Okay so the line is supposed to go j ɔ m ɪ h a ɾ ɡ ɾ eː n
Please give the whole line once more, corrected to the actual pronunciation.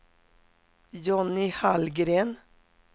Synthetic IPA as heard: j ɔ n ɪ h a l ɡ ɾ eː n